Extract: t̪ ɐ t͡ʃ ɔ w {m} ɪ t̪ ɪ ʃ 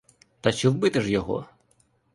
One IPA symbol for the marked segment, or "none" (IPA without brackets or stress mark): b